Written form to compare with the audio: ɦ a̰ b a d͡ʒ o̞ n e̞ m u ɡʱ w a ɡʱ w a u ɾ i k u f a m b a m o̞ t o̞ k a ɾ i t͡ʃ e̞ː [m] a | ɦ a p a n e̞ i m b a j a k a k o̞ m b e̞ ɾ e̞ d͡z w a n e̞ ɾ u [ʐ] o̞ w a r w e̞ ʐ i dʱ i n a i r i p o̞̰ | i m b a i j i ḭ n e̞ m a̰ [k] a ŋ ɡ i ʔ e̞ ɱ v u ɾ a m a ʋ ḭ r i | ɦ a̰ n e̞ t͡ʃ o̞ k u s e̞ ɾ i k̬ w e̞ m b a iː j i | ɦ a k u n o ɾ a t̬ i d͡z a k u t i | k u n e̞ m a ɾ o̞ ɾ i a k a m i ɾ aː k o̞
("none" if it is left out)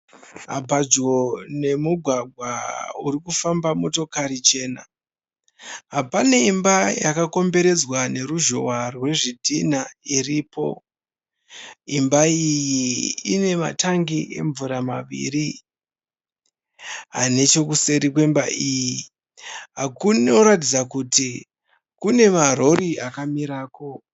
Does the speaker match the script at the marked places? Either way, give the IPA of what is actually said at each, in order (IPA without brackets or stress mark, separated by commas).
n, ʒ, t